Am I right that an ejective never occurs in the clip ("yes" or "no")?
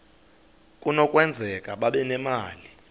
no